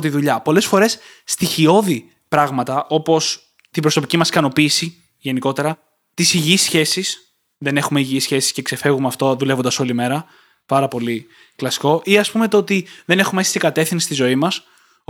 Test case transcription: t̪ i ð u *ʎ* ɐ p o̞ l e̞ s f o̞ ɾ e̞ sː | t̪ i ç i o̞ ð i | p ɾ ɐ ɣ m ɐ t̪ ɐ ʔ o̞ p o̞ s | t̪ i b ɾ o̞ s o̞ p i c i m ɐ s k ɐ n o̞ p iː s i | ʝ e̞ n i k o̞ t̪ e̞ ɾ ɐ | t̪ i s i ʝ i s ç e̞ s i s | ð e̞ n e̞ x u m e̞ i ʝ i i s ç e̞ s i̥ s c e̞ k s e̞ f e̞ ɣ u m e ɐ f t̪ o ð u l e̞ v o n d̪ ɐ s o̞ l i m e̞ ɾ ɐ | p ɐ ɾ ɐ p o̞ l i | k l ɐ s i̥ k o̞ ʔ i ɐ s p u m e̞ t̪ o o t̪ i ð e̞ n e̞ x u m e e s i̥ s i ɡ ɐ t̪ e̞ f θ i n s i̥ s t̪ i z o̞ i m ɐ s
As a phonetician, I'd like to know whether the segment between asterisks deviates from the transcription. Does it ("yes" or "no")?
no